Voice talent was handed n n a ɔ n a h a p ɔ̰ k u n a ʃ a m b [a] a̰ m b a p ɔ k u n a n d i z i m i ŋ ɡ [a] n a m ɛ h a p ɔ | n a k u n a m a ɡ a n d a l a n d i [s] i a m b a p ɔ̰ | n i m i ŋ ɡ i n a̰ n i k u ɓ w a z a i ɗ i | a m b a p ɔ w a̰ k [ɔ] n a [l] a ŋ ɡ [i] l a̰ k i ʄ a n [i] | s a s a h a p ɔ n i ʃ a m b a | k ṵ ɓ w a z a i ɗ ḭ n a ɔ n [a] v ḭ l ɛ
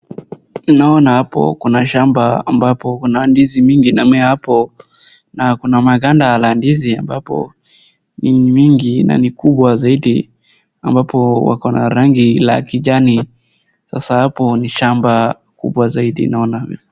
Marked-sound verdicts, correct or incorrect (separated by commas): correct, incorrect, incorrect, correct, incorrect, correct, correct, correct